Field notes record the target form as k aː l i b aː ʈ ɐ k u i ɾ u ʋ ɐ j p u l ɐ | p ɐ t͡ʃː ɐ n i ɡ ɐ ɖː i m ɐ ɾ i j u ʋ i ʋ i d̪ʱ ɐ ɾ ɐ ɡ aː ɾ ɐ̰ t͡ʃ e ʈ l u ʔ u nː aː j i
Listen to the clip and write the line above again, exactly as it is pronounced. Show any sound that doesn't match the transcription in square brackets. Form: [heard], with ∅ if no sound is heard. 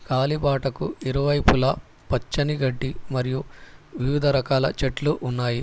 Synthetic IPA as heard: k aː l i b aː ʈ ɐ k u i ɾ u ʋ ɐ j p u l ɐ | p ɐ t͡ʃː ɐ n i ɡ ɐ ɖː i m ɐ ɾ i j u ʋ i ʋ i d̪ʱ ɐ ɾ ɐ [k] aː [l] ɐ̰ t͡ʃ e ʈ l u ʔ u nː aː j i